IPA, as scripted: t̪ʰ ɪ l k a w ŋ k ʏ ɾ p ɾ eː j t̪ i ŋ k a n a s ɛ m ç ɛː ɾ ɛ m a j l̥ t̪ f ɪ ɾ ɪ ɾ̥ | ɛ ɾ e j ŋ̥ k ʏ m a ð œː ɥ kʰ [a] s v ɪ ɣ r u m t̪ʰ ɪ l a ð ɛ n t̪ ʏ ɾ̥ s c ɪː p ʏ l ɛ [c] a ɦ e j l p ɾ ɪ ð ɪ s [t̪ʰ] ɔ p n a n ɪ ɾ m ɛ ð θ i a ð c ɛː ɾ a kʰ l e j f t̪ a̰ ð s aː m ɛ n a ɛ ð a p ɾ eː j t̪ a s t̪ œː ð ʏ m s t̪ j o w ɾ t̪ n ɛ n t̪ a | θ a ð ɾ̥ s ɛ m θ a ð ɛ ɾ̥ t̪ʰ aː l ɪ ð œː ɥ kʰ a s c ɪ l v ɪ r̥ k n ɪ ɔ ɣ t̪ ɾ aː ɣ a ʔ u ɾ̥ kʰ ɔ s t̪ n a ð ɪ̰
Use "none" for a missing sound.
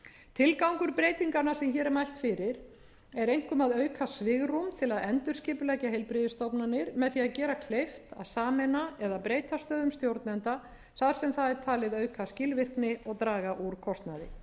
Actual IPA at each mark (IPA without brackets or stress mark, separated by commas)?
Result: a, c, t̪